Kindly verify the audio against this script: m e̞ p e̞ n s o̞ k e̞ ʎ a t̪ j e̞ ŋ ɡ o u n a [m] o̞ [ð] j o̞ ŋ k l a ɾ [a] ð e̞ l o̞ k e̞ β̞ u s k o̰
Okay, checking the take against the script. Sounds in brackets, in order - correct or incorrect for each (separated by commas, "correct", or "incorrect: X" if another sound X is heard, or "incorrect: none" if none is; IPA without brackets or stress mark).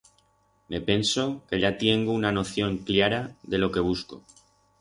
incorrect: n, incorrect: θ, correct